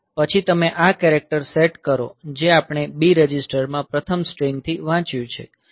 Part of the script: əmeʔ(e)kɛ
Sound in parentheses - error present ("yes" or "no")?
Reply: yes